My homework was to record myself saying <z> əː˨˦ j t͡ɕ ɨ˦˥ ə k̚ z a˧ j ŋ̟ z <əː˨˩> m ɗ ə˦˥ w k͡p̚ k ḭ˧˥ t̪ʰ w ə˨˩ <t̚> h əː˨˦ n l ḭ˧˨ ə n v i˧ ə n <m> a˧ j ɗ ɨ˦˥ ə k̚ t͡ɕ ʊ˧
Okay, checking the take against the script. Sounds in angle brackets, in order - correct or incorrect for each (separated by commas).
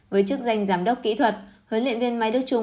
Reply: incorrect, incorrect, correct, correct